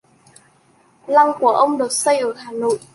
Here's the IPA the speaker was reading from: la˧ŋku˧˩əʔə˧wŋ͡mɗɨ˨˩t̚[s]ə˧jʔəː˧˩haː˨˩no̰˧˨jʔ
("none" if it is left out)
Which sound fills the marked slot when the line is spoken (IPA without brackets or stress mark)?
s